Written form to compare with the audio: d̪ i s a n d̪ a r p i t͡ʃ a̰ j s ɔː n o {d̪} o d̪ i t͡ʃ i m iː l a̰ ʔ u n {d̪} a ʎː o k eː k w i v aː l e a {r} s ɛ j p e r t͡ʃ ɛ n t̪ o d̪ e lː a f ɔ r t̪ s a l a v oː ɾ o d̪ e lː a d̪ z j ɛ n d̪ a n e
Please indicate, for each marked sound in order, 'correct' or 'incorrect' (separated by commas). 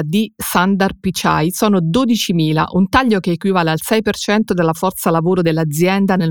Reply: correct, incorrect, incorrect